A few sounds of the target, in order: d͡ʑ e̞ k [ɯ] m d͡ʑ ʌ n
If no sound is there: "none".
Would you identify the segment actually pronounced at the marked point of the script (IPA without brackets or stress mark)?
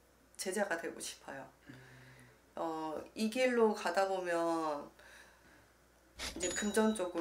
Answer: ɯ